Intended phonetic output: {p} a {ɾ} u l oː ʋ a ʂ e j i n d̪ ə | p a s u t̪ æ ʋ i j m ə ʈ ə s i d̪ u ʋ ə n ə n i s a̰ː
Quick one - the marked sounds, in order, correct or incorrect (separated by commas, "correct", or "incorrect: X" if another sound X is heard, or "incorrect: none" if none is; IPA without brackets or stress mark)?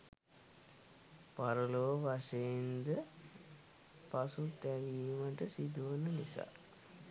correct, correct